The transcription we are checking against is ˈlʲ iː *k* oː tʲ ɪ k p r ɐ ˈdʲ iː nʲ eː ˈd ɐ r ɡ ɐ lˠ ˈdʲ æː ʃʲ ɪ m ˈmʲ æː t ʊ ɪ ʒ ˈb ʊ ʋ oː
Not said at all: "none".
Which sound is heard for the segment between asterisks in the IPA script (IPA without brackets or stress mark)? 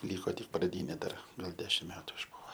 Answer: k